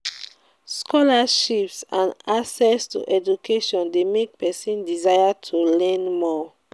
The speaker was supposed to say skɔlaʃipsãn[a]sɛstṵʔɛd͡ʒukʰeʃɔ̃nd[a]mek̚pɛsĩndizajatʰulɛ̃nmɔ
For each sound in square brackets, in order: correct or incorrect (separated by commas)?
correct, incorrect